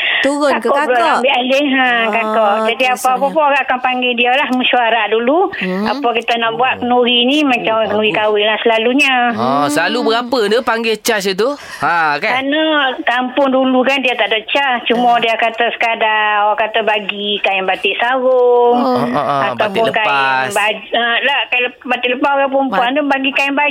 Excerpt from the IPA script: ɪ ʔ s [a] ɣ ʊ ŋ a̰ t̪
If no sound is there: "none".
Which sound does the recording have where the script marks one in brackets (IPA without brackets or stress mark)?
a